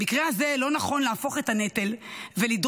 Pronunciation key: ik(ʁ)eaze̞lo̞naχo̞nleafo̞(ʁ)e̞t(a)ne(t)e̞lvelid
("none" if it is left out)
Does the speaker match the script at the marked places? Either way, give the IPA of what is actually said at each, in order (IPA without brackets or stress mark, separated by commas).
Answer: ʁ, χ, a, t